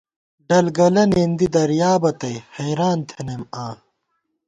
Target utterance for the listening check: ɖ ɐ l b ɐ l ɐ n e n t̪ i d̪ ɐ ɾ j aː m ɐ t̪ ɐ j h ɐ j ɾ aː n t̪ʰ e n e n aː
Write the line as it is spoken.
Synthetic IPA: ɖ ɐ l ɡ ɐ l ɐ n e n d̪ i d̪ ɐ ɾ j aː b ɐ t̪ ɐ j h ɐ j ɾ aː n t̪ʰ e n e m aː